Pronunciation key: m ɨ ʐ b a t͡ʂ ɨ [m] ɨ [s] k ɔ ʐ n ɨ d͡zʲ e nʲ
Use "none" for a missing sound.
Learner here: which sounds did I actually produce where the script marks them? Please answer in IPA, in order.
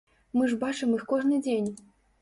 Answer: m, x

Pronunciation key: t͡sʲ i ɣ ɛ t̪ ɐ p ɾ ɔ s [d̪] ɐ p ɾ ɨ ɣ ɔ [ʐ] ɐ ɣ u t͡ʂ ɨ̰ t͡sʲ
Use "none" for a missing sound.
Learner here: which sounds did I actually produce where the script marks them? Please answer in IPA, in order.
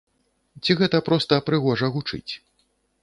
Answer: t̪, ʐ

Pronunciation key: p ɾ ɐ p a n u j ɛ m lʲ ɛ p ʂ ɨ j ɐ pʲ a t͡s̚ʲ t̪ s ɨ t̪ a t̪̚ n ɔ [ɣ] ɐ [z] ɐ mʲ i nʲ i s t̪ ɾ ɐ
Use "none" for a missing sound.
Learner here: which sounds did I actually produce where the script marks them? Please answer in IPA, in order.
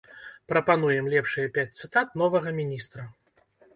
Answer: v, ɣ

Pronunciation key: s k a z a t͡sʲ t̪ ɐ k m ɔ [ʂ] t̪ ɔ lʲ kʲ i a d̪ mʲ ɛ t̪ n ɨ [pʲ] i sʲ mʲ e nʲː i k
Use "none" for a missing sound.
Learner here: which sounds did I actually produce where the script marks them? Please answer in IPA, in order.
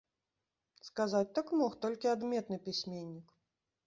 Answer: x, pʲ

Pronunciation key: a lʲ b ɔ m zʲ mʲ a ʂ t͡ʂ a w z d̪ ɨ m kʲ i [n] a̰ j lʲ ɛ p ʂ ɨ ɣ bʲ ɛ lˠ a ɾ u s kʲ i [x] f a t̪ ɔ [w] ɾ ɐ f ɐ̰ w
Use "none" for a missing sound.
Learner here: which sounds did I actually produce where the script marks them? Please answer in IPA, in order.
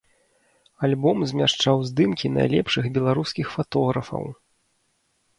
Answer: n, x, ɣ

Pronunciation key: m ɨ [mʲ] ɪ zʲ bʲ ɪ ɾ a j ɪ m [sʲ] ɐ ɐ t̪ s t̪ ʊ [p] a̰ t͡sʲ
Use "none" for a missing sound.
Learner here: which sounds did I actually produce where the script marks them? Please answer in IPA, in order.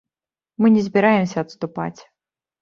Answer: nʲ, sʲ, p

